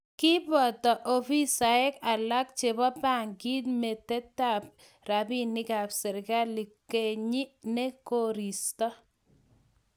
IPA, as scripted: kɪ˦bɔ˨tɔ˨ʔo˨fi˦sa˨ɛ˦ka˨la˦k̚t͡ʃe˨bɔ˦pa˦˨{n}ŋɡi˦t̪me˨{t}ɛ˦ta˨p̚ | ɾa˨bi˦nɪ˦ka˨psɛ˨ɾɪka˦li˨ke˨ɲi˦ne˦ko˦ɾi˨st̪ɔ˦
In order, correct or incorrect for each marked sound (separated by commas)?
incorrect, correct